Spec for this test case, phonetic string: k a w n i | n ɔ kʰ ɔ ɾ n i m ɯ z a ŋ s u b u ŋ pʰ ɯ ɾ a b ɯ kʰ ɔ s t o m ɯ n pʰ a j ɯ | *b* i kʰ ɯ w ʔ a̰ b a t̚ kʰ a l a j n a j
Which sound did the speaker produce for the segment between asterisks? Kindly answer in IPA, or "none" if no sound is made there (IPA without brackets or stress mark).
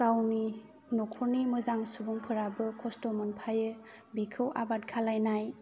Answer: b